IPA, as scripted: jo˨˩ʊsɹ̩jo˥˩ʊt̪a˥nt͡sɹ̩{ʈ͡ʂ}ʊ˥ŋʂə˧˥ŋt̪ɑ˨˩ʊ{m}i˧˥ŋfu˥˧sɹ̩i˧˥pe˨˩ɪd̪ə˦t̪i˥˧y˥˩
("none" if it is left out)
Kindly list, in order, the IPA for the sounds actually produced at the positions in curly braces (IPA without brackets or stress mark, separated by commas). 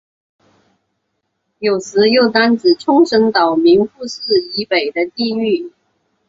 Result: ʈ͡ʂʰ, m